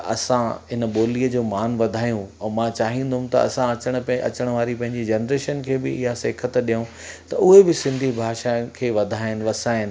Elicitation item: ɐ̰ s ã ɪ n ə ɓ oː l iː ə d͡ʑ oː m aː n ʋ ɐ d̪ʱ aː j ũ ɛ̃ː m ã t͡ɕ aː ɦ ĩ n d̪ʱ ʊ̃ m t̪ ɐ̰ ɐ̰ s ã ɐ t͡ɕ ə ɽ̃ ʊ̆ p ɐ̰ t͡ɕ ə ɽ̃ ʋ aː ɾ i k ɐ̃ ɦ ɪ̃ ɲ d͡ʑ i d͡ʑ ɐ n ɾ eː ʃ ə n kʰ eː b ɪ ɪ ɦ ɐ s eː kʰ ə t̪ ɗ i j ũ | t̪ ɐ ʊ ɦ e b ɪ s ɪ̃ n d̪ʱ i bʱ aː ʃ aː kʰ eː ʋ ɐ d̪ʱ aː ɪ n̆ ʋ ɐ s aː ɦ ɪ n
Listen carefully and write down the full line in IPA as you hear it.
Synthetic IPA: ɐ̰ s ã ɪ n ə ɓ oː l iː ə d͡ʑ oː m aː n ʋ ɐ d̪ʱ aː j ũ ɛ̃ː m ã t͡ɕ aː ɦ ĩ n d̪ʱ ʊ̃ m t̪ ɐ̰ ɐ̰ s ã ɐ t͡ɕ ə ɽ̃ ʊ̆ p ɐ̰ t͡ɕ ə ɽ̃ ʋ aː ɾ i p ɐ̃ ɦ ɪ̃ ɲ d͡ʑ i d͡ʑ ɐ n ɾ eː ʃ ə n kʰ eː b ɪ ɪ ɦ a s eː kʰ ə t̪ ɗ i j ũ | t̪ ɐ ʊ ɦ e b ɪ s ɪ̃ n d̪ʱ i bʱ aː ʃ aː kʰ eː ʋ ɐ d̪ʱ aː ɪ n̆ ʋ ɐ s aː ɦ ɪ n